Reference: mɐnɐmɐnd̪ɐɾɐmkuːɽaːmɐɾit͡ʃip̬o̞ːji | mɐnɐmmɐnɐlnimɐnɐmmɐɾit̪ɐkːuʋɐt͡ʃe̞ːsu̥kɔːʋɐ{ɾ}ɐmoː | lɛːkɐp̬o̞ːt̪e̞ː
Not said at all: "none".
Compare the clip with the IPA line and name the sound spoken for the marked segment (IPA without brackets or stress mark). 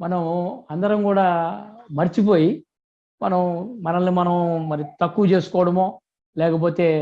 ɽ